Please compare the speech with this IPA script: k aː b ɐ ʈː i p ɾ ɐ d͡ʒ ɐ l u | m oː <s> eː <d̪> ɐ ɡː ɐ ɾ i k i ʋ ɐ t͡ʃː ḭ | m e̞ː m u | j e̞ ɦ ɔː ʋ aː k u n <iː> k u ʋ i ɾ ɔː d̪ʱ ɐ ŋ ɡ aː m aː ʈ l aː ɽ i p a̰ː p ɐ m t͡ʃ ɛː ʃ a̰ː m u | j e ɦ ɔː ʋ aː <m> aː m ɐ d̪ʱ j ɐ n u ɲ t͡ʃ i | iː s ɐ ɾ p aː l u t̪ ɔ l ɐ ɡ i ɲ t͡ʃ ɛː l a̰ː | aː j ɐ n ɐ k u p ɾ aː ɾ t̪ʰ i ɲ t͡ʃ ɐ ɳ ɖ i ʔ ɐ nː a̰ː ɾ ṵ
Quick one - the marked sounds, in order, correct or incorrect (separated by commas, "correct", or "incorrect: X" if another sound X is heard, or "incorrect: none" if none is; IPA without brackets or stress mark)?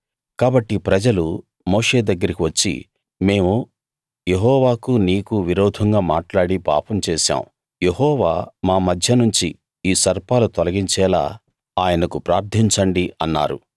incorrect: ʂ, correct, correct, correct